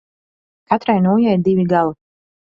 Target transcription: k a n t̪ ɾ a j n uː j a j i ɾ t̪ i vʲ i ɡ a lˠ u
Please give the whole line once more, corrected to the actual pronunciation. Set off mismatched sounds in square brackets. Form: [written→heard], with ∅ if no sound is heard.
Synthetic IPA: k a [n→∅] t̪ ɾ a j n uː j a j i ɾ [t̪→d̪] i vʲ i ɡ a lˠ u

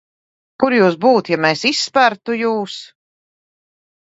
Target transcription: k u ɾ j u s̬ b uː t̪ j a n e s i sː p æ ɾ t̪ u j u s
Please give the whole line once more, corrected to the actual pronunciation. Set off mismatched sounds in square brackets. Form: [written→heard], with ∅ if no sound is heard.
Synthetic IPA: k u ɾ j [u→uː] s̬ b uː t̪ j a [n→m] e s i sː p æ ɾ t̪ u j [u→uː] s

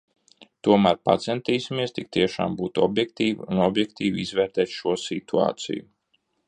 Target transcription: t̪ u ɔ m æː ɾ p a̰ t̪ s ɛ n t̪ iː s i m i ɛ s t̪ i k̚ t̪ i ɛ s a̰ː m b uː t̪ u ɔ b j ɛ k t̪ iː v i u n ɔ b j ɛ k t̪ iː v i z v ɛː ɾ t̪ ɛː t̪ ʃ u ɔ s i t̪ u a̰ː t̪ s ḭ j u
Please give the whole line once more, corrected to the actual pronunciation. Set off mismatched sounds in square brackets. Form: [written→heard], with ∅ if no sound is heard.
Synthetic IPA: t̪ u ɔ m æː ɾ p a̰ t̪ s ɛ n t̪ iː s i m i ɛ s t̪ i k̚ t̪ i ɛ [s→ʃ] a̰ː m b uː t̪ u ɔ b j ɛ k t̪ iː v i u n ɔ b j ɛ k t̪ iː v i z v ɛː ɾ t̪ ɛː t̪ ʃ u ɔ s i t̪ u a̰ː t̪ s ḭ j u

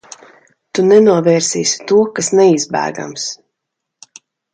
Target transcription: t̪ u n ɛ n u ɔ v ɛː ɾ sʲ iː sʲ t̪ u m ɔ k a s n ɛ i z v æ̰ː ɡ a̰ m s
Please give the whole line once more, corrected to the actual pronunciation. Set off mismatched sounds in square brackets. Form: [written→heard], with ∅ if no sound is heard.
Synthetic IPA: t̪ u n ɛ n u ɔ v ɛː ɾ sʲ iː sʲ t̪ u [m→∅] ɔ k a s n ɛ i z [v→b] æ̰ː ɡ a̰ m s

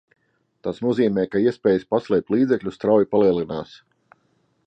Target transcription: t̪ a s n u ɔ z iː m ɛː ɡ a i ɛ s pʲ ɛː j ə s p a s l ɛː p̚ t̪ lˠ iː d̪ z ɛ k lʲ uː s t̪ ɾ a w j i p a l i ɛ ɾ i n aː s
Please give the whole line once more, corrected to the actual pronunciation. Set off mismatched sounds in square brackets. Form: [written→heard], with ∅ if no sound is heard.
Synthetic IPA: t̪ a s n u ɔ z iː m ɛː [ɡ→k] a i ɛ s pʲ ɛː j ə s p a s l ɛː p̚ t̪ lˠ iː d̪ z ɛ k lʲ [uː→u] s t̪ ɾ a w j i p a l i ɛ [ɾ→l] i n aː s

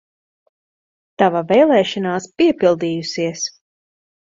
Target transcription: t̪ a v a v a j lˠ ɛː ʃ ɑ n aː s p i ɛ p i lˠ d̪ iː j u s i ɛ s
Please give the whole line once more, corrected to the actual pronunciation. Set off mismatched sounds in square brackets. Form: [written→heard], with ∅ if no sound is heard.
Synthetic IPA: t̪ a v a v [a→ɛ] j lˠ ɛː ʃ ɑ n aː s p i ɛ p i lˠ d̪ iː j u s i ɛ s

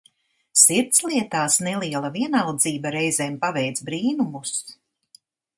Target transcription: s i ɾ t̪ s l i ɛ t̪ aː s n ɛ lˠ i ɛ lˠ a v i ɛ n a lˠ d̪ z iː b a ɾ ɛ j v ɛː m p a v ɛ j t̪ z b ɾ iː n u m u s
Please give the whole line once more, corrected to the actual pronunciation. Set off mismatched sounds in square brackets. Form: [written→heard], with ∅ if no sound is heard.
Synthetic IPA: s i ɾ t̪ s l i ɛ t̪ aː s n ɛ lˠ i ɛ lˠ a v i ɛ n a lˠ d̪ z iː b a ɾ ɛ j [v→z] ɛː m p a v ɛ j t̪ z b ɾ iː n u m u s

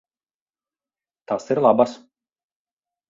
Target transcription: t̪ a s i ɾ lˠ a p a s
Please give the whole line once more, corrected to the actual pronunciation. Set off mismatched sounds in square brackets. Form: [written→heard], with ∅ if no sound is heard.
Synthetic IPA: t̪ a s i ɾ lˠ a [p→b] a s

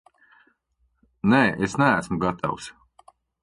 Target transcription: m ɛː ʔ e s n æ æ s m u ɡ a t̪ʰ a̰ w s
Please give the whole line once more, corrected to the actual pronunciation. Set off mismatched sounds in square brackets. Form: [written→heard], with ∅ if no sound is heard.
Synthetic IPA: [m→n] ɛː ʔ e s n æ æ s m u ɡ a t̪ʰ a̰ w s

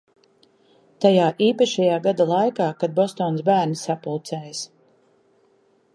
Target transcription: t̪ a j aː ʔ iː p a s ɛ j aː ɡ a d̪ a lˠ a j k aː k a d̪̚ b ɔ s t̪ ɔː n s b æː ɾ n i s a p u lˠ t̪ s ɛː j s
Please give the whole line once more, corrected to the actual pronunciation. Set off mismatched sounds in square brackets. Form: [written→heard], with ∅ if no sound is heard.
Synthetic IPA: t̪ a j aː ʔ iː p a [s→ʃ] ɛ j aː ɡ a d̪ a lˠ a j k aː k a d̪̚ b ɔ s t̪ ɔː n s b æː ɾ n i s a p u lˠ t̪ s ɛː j s

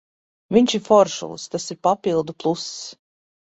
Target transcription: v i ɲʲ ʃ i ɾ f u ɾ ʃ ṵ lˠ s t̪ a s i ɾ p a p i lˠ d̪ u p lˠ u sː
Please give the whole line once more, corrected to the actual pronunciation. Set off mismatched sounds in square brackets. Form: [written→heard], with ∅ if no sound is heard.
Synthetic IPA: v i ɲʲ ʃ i ɾ f [u→ɔ] ɾ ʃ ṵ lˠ s t̪ a s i ɾ p a p i lˠ d̪ u p lˠ u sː

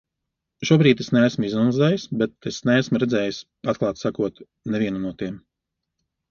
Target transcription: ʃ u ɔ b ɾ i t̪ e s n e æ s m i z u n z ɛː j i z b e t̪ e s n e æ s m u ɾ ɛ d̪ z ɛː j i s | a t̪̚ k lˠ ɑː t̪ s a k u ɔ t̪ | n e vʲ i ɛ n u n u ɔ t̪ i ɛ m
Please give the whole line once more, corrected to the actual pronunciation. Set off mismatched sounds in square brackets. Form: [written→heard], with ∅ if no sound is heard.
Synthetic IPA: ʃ u ɔ b ɾ [i→iː] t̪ e s n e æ s m i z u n z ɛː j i [z→s] b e t̪ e s n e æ s m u ɾ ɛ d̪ z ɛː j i s | a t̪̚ k lˠ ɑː t̪ s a k u ɔ t̪ | n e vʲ i ɛ n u n u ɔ t̪ i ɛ m

